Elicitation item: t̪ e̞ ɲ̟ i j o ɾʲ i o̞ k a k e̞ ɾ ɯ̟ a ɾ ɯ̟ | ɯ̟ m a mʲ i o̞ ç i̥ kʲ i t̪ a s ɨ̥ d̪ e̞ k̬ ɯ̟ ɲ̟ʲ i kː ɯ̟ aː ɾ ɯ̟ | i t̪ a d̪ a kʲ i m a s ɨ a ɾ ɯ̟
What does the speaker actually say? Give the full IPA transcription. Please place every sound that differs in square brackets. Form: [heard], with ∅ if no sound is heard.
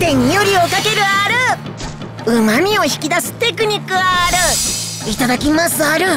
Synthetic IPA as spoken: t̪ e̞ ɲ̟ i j o ɾʲ i o̞ k a k e̞ ɾ ɯ̟ a ɾ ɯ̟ | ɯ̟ m a mʲ i o̞ ç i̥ kʲ i [d̪] a s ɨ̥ [t̪] e̞ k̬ ɯ̟ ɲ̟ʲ i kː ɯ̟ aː ɾ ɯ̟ | i t̪ a d̪ a kʲ i m a s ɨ a ɾ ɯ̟